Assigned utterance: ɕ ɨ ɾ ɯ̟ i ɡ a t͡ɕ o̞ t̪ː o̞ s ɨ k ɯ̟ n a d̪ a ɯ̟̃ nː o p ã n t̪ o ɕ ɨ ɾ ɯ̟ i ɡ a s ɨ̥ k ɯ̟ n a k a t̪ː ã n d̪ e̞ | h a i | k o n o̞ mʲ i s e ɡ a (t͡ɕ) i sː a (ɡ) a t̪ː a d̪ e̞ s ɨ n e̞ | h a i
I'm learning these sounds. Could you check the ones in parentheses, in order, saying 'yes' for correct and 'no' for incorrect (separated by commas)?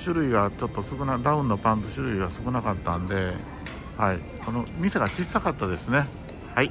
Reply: yes, no